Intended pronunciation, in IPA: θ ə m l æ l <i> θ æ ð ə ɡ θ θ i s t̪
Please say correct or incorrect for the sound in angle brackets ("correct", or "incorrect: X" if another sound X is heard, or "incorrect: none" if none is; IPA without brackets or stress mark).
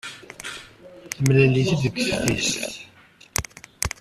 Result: correct